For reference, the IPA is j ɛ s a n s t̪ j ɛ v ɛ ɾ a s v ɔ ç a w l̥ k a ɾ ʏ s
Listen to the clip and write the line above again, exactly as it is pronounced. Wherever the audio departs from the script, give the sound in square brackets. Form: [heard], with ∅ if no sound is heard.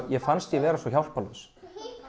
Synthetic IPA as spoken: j ɛ [f] a n s t̪ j ɛ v [ɛː] ɾ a s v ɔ ç a w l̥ [p] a [l] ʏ s